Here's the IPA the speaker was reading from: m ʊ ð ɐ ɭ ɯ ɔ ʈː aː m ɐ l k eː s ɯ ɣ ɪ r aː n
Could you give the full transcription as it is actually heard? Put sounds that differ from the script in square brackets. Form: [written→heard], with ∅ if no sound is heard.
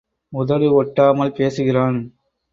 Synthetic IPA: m ʊ ð ɐ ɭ ɯ ɔ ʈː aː m ɐ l [k→p] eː s ɯ ɣ ɪ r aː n